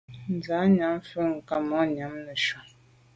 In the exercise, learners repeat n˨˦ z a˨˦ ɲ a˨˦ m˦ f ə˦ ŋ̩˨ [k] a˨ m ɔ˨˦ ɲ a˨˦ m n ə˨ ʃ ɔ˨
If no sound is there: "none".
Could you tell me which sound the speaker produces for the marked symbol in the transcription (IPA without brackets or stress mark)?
k